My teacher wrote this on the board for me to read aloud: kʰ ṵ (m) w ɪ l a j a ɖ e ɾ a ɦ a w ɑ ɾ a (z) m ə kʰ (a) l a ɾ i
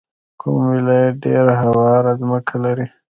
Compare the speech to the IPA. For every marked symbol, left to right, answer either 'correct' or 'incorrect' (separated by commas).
correct, correct, correct